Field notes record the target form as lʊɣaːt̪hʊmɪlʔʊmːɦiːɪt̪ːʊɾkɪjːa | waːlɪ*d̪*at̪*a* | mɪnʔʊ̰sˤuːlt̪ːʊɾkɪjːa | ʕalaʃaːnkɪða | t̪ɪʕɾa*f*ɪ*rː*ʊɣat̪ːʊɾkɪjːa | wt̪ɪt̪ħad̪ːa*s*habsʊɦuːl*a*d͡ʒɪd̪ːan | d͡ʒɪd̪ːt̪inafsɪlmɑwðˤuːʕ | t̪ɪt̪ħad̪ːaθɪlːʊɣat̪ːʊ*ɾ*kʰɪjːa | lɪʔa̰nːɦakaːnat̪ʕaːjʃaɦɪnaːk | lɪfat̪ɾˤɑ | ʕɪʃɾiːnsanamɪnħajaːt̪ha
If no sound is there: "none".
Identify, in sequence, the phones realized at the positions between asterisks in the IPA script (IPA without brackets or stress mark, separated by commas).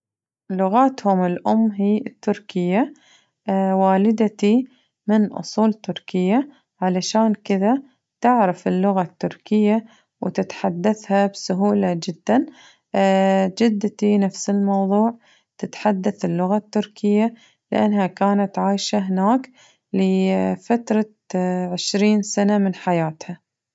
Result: d̪, i, f, lː, θ, a, ɾ